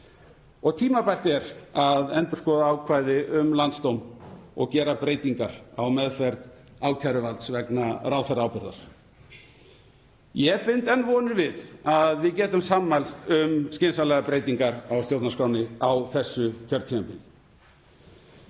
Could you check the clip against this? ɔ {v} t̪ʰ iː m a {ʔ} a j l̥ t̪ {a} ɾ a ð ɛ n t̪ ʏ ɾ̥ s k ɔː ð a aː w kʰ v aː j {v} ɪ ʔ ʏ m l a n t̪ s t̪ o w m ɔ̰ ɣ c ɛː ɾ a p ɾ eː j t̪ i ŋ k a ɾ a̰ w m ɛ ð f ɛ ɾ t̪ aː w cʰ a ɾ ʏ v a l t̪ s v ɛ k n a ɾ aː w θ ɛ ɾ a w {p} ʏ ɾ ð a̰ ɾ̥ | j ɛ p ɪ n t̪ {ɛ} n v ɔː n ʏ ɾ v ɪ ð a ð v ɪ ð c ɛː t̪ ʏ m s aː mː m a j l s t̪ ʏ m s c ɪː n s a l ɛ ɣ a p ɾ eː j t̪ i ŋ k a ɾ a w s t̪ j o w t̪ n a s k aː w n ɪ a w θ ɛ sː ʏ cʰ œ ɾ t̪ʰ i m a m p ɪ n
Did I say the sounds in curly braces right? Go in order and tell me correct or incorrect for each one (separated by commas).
incorrect, incorrect, incorrect, incorrect, correct, correct